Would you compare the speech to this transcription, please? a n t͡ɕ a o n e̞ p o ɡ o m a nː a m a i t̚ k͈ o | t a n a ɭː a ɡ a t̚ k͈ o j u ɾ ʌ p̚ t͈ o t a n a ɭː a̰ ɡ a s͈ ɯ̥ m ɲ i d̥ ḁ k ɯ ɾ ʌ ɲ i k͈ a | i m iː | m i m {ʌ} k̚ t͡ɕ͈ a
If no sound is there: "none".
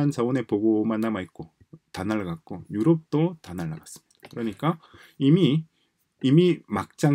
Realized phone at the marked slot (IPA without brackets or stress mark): a